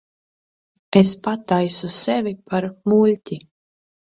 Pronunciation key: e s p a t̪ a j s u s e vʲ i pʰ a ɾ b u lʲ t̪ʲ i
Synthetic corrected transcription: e s p a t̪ a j s u s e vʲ i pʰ a ɾ m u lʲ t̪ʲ i